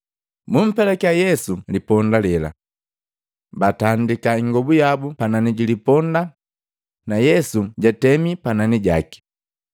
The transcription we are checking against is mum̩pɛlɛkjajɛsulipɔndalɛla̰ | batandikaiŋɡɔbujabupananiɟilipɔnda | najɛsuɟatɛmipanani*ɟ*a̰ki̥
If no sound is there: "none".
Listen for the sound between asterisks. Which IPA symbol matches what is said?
ɟ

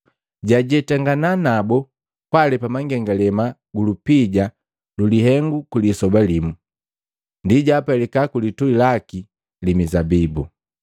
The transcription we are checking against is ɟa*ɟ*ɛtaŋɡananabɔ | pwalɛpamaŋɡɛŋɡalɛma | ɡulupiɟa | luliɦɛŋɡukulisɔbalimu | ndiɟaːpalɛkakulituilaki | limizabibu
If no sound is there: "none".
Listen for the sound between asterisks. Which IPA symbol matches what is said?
ɟ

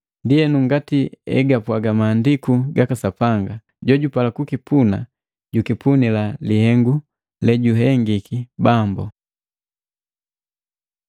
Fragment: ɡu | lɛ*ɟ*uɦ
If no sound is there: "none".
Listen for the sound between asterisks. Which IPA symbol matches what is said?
ɟ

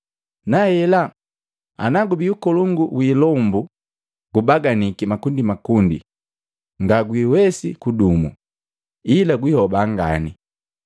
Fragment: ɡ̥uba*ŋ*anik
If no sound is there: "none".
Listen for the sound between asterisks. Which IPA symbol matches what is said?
ɡ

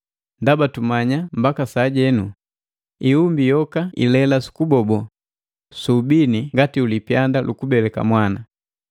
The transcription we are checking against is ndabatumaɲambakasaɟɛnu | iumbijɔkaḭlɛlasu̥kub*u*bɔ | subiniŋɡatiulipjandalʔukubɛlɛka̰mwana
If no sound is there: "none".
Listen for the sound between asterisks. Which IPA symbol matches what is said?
ɔ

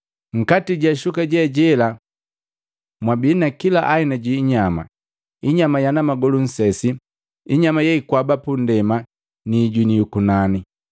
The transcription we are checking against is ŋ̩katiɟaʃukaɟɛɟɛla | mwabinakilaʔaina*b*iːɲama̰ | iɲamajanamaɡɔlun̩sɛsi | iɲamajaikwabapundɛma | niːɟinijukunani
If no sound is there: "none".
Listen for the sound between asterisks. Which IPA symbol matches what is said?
ɟ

